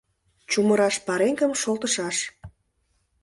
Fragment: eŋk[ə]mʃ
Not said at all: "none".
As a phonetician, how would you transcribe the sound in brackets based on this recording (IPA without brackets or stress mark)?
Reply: ə